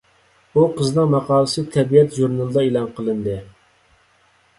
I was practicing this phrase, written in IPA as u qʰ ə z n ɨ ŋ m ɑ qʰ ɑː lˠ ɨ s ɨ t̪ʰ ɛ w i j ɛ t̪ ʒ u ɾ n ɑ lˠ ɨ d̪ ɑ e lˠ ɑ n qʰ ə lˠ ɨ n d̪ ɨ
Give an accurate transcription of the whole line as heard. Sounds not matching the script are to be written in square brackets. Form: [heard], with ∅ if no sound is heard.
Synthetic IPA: u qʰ ə z n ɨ ŋ m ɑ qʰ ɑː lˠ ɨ s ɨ t̪ʰ ɛ [b] i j ɛ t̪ ʒ u ɾ n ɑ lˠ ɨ d̪ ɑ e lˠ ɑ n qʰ ə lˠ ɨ n d̪ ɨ